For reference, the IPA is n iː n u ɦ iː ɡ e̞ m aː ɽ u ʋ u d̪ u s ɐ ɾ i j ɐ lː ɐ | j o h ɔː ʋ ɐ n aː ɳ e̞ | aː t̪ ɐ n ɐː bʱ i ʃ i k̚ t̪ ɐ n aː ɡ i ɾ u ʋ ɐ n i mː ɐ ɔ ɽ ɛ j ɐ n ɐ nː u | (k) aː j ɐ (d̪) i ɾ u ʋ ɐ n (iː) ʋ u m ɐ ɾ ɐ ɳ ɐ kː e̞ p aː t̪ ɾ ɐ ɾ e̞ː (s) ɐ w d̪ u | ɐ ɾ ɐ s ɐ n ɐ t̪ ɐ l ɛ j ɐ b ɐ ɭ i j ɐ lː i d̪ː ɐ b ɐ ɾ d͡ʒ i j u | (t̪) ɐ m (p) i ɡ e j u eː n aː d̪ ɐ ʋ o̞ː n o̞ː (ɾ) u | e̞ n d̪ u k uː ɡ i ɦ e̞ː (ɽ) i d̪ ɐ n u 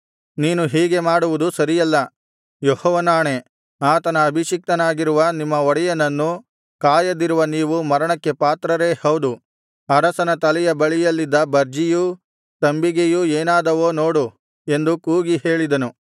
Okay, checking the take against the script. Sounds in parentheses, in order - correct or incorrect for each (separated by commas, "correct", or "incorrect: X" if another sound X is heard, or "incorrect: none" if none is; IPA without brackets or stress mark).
correct, correct, correct, incorrect: h, correct, incorrect: b, incorrect: ɽ, incorrect: ɭ